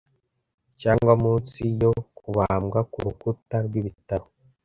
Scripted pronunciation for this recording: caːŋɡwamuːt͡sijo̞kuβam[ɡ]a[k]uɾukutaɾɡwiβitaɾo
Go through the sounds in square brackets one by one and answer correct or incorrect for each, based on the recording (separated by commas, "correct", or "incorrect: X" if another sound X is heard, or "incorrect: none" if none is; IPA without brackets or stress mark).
correct, correct